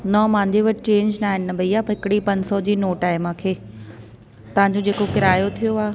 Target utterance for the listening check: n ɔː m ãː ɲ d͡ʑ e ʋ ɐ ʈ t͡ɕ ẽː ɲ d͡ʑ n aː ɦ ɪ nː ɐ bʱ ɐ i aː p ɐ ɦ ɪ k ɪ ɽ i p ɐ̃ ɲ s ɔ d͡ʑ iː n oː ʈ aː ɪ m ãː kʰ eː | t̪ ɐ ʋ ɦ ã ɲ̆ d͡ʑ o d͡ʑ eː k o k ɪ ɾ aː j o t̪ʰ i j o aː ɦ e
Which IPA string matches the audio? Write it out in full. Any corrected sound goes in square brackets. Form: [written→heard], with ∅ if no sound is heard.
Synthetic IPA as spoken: n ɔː m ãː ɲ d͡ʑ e ʋ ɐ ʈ t͡ɕ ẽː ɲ d͡ʑ n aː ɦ ɪ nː ɐ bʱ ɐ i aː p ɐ ɦ ɪ k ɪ ɽ i p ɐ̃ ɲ s ɔ d͡ʑ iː n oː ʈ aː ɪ m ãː kʰ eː | t̪ ɐ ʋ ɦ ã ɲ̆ d͡ʑ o d͡ʑ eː k o k ɪ ɾ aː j o t̪ʰ i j o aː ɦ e